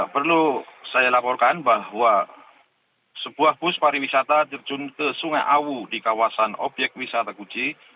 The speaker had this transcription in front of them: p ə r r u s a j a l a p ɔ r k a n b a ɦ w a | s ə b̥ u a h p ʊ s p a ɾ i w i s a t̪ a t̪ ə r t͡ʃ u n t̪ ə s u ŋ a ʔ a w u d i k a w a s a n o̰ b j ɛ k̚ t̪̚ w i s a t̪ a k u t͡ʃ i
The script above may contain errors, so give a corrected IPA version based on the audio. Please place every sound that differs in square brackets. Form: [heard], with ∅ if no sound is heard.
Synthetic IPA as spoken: p ə r [l] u s a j a l a p ɔ r k a n b a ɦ w a | s ə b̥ u a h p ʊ s p a ɾ i w i s a t̪ a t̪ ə r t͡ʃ u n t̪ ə s u ŋ a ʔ a w u d i k a w a s a n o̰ b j ɛ k̚ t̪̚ w i s a t̪ a k u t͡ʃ i